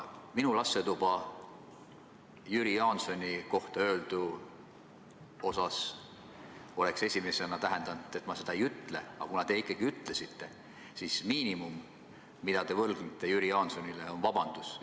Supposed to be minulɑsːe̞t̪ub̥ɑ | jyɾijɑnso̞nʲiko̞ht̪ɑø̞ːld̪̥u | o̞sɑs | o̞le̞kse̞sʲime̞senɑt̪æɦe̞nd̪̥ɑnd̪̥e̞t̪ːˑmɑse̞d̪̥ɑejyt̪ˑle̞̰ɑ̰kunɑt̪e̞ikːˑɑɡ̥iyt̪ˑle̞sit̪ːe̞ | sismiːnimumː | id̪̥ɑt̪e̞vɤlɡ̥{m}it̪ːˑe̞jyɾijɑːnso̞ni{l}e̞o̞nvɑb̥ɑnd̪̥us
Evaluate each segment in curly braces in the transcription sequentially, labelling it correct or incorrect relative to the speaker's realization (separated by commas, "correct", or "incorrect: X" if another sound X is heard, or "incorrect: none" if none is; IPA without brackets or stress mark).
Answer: incorrect: n, correct